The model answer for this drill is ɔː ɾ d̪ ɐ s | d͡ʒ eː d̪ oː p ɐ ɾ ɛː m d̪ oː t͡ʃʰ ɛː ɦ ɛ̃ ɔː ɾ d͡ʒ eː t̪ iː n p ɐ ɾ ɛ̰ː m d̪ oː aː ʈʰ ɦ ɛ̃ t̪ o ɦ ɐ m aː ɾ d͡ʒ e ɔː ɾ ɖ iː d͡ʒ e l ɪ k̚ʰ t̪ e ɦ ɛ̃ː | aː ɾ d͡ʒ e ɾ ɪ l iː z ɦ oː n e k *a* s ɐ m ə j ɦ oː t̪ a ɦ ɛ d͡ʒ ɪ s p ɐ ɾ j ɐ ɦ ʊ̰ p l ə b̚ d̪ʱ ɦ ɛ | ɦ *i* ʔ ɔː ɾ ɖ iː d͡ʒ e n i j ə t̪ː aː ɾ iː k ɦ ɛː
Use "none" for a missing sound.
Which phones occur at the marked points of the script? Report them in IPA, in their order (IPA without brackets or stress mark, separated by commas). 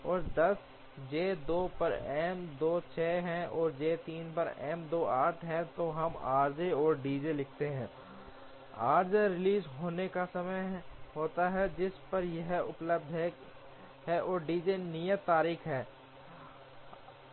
a, ɛ